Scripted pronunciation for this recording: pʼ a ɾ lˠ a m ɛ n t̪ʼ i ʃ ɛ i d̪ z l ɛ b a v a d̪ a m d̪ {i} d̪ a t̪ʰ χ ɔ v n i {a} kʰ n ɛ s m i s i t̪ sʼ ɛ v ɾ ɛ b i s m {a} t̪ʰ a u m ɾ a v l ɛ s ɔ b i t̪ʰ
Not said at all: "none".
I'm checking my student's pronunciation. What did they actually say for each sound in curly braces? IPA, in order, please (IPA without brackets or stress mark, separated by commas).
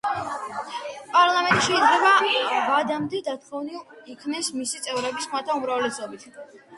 ɛ, i, a